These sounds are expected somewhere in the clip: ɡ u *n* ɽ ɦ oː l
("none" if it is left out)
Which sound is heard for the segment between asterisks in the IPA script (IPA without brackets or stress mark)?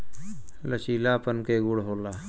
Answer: none